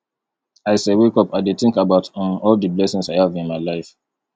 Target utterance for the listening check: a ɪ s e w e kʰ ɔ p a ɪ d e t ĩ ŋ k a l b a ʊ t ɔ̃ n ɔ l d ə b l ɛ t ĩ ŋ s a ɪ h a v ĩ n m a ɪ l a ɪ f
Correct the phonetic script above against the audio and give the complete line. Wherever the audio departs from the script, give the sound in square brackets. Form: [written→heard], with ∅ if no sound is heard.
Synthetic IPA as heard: a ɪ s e w e [kʰ→k] ɔ p a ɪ d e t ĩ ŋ k a [l→∅] b a ʊ t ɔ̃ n ɔ l d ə b l ɛ [t→s] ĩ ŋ s a ɪ h a v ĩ n m a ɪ l a ɪ f